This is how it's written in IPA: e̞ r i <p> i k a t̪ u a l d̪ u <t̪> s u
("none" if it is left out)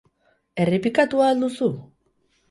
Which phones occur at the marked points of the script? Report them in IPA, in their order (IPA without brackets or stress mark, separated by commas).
p, none